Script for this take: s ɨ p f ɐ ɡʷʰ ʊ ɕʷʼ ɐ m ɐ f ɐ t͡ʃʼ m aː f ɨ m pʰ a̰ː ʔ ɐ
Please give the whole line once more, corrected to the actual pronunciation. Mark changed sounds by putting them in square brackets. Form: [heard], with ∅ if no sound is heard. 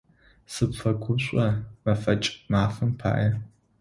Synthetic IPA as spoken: s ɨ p f ɐ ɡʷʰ ʊ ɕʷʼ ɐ m ɐ f ɐ t͡ʃʼ m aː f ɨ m pʰ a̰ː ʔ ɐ